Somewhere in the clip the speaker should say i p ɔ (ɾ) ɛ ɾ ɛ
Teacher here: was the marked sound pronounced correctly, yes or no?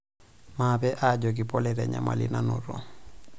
no